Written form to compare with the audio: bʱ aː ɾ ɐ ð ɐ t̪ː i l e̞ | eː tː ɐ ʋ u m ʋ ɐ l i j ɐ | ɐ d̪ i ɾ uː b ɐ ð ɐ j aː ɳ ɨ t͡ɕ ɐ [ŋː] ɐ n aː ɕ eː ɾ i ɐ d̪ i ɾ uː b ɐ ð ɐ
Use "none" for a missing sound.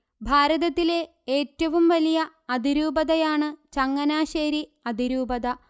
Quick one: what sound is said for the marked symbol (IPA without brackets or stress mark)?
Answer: ŋː